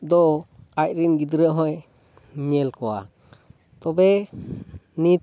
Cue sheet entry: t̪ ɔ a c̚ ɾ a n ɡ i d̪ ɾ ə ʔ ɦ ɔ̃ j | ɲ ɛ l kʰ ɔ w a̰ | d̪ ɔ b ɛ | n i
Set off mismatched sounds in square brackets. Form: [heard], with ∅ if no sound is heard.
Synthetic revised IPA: [d̪] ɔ a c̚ ɾ [i] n ɡ i d̪ ɾ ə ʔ ɦ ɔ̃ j | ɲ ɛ l [k] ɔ w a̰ | [t̪] ɔ b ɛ | n i

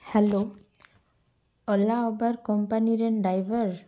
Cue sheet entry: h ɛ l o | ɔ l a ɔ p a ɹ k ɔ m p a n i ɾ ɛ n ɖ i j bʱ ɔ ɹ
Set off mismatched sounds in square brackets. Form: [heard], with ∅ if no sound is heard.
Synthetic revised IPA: h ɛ l o | ɔ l a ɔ [b] a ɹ k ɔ m p a n i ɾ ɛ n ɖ [a] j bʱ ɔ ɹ

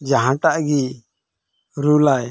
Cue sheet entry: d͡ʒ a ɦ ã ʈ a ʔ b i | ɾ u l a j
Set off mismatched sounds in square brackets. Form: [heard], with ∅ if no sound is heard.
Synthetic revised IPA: d͡ʒ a ɦ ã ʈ a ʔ [ɡ] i | ɾ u l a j

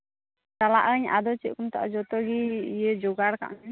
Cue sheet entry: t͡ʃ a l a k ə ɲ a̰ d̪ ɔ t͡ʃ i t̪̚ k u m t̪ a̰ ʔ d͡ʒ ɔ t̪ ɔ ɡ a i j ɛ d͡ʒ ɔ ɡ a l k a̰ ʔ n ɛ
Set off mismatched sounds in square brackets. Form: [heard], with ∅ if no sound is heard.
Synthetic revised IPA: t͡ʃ a l a [ʔ] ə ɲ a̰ d̪ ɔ t͡ʃ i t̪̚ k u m t̪ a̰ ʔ d͡ʒ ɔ t̪ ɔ ɡ [i] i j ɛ d͡ʒ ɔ ɡ a [ɽ] k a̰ ʔ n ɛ

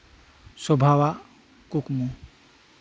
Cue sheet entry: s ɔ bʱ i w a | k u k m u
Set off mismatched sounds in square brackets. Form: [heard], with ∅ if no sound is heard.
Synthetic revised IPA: s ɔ bʱ [a] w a | k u k m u

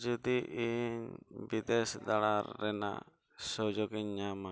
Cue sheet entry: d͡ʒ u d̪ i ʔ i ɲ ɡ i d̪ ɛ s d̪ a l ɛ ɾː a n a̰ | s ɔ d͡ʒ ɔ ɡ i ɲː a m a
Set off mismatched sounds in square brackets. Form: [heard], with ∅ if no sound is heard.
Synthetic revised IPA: d͡ʒ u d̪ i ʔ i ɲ [b] i d̪ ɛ s d̪ a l [a] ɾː [ɛ] n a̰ | s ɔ d͡ʒ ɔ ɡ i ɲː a m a

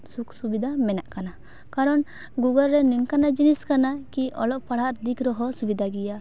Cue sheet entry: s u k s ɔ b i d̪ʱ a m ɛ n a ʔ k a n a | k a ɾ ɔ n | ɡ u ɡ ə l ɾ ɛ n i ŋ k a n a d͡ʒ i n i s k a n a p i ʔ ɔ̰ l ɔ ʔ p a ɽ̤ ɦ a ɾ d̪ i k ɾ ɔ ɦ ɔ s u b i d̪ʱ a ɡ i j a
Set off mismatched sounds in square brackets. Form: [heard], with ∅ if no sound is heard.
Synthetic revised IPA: s u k s [u] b i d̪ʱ a m ɛ n a ʔ k a n a | k a ɾ ɔ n | ɡ u ɡ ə l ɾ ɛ n i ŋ k a n a d͡ʒ i n i s k a n a [k] i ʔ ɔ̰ l ɔ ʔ p a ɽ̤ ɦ a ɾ d̪ i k ɾ ɔ ɦ ɔ s u b i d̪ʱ a ɡ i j a

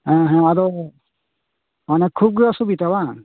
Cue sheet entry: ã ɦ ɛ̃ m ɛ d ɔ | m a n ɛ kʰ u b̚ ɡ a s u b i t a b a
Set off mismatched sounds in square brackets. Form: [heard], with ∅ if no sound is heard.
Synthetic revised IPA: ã ɦ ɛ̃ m [a] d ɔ | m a n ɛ kʰ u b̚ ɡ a s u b i t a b a

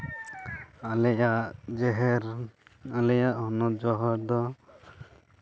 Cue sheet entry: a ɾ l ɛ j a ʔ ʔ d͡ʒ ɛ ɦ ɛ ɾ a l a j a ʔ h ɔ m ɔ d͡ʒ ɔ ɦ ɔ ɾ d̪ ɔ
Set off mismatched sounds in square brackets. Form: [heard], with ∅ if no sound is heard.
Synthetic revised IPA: a [∅] l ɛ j a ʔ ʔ d͡ʒ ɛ ɦ ɛ ɾ a l [ɛ] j a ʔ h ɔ [n] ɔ d͡ʒ ɔ ɦ ɔ ɾ d̪ ɔ

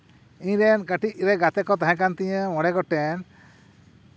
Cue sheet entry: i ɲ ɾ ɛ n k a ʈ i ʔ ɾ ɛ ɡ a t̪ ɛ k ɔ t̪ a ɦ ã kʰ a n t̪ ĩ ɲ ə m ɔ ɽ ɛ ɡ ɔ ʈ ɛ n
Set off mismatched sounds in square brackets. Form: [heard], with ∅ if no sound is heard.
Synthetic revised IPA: i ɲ ɾ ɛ n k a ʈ i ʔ ɾ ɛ ɡ a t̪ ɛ k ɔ t̪ a ɦ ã [k] a n t̪ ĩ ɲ ə m ɔ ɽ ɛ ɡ ɔ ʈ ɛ n

